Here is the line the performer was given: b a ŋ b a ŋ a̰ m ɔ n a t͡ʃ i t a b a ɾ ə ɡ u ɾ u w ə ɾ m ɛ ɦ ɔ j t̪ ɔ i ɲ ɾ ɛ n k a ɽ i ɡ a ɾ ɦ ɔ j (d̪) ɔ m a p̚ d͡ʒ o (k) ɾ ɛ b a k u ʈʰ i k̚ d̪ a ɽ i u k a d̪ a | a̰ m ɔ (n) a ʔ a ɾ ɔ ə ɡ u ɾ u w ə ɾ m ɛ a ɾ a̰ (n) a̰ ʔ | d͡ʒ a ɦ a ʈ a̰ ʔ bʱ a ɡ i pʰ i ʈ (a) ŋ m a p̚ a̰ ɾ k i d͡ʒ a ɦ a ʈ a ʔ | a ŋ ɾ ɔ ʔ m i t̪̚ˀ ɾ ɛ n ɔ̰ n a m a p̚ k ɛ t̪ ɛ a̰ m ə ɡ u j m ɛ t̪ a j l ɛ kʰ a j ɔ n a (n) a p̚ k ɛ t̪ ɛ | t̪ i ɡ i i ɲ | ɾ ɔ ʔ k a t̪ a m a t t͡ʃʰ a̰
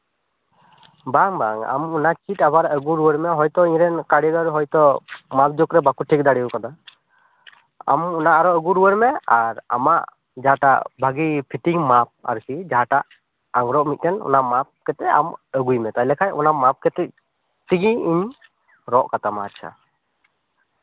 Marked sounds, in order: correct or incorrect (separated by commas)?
incorrect, correct, correct, incorrect, incorrect, incorrect